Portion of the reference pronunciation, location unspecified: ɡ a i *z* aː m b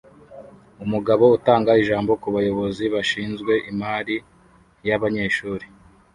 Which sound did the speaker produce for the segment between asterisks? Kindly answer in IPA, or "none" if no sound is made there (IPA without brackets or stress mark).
ʒ